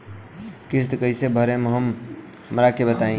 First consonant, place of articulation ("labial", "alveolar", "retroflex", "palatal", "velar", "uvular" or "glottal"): velar